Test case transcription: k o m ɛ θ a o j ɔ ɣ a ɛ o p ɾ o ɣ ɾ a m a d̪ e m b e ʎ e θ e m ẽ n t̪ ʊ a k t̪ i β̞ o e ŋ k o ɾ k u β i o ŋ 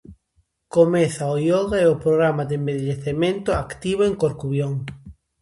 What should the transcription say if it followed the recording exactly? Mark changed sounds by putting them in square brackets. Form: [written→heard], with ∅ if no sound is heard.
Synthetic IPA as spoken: k o m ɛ θ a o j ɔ ɣ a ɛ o p ɾ o ɣ ɾ a m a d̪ e m b e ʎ e θ e m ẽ n t̪ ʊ a k t̪ i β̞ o e ŋ k o ɾ k u β [i→j] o ŋ